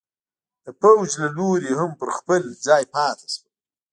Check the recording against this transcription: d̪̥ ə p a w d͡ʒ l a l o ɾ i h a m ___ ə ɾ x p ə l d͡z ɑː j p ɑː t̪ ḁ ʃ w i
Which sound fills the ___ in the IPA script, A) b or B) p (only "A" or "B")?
B